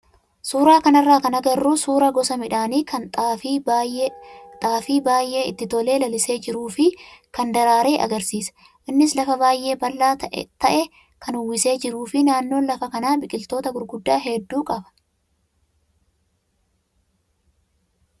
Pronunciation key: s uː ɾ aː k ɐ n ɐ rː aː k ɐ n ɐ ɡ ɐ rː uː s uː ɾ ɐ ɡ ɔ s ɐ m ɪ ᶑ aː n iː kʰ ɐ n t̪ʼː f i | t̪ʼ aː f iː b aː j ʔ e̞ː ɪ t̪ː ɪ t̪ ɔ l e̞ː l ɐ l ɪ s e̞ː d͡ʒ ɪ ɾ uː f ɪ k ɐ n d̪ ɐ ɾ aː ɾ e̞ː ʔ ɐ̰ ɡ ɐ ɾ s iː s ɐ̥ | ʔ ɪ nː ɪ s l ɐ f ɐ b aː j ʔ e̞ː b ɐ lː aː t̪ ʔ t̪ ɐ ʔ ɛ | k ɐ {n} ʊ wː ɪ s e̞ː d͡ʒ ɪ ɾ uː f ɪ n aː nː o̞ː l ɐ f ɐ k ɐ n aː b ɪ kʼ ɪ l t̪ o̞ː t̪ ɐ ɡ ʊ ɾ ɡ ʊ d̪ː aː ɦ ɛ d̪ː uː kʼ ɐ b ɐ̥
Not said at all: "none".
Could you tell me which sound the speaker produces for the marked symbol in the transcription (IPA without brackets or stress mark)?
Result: n